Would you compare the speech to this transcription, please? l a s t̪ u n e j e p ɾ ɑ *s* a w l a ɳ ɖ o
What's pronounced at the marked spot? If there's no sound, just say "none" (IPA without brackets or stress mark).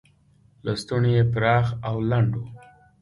x